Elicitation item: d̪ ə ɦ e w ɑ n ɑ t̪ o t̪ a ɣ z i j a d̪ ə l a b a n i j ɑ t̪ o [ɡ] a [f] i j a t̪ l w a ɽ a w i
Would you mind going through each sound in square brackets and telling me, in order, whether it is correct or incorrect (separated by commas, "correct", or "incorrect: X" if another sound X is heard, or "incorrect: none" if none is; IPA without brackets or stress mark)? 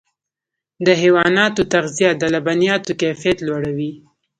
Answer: incorrect: k, correct